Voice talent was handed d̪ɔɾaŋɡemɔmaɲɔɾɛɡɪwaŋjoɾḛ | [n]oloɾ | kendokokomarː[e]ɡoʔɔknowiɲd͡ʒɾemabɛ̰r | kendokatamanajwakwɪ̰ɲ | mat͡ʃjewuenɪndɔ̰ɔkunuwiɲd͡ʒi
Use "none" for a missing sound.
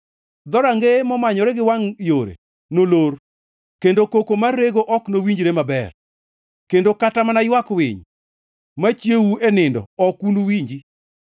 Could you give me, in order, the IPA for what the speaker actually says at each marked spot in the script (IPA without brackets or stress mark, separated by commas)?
n, e